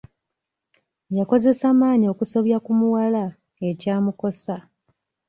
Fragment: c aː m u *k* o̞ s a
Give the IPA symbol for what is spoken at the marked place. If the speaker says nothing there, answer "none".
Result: k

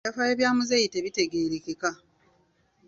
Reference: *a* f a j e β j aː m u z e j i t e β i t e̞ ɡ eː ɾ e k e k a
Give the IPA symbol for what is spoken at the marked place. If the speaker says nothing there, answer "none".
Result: a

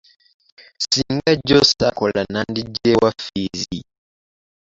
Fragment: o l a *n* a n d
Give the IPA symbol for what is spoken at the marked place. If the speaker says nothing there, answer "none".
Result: n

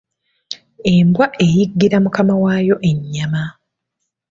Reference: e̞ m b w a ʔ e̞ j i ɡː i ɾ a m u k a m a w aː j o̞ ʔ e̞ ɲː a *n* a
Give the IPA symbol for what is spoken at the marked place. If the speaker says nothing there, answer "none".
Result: m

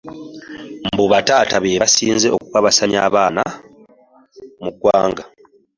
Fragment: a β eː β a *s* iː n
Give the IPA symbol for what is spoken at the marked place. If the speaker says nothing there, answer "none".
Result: s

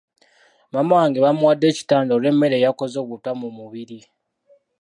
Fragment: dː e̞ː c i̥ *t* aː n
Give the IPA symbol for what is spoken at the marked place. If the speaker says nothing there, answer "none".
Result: t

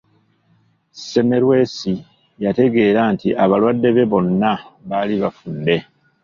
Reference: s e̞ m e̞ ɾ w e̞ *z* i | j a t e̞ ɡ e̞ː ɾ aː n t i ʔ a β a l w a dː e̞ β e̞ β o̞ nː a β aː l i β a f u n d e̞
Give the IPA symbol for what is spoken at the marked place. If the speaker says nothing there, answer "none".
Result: s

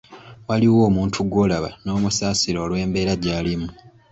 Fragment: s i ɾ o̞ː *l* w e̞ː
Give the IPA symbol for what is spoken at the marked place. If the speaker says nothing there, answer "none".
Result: l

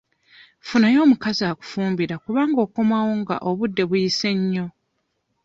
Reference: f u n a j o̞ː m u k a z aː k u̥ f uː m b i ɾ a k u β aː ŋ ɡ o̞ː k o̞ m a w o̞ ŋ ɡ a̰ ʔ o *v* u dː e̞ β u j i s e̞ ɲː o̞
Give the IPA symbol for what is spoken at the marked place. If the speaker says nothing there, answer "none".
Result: β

